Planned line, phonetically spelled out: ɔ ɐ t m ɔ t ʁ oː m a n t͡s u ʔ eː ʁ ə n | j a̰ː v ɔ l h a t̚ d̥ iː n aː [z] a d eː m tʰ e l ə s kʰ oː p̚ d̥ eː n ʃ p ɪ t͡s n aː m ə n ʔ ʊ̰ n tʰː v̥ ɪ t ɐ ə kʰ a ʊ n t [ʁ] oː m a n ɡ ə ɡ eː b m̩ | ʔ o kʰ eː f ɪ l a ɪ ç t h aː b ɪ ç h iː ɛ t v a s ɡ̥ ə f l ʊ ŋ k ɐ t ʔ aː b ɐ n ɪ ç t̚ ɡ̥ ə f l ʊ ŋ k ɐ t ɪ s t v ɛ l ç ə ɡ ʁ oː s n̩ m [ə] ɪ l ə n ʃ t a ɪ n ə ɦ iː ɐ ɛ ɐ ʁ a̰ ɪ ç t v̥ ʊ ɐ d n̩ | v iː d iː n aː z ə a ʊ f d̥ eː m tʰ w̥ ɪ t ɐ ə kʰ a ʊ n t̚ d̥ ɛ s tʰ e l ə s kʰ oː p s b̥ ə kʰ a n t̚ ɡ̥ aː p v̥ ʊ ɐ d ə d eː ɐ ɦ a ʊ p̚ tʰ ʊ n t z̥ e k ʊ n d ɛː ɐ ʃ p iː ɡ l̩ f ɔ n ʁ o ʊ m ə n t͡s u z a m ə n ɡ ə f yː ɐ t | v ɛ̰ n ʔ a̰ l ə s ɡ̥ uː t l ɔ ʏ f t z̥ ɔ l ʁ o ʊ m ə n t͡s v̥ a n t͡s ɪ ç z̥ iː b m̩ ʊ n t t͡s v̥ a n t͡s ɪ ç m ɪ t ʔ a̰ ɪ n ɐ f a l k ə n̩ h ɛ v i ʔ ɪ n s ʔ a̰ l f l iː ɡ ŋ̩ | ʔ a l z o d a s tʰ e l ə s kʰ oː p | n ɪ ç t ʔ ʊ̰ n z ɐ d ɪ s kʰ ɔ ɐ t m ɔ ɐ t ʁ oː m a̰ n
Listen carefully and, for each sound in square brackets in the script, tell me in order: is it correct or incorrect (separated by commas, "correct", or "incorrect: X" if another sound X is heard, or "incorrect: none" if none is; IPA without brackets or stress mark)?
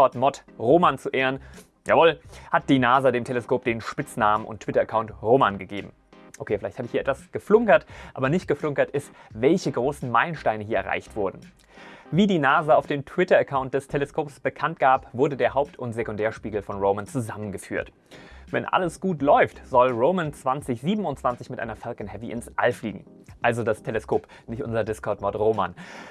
correct, correct, incorrect: a